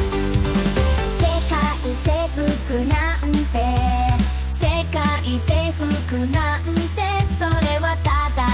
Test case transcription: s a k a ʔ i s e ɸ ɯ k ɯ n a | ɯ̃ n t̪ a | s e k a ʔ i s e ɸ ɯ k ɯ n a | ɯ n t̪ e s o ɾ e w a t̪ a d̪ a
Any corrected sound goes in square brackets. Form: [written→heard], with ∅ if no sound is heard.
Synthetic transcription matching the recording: s [a→e] k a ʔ i s e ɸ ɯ k ɯ n a | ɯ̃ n t̪ [a→e] | s e k a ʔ i s e ɸ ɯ k ɯ n a | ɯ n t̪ e s o ɾ e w a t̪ a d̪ a